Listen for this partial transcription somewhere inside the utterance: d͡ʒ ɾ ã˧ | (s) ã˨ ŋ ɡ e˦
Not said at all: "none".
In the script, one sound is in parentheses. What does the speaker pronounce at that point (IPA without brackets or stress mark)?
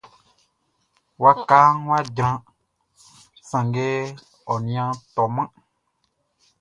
s